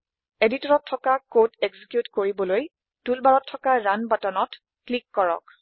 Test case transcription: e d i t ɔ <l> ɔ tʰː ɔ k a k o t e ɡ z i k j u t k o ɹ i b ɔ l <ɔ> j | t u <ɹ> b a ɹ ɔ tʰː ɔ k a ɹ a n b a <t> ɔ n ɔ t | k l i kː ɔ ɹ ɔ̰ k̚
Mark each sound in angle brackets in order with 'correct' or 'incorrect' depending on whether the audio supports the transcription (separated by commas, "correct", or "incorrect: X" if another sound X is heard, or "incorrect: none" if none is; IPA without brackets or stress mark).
incorrect: ɹ, incorrect: o, incorrect: l, correct